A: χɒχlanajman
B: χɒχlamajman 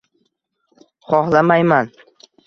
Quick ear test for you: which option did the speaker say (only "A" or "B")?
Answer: B